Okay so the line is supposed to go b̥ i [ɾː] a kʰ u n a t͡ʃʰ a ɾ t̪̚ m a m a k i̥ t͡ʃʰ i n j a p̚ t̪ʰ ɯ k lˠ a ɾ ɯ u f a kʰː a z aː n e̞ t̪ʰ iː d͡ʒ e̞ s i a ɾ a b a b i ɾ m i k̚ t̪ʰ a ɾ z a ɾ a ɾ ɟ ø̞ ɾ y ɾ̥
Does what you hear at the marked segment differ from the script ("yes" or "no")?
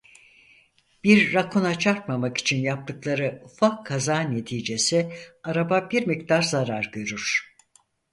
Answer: no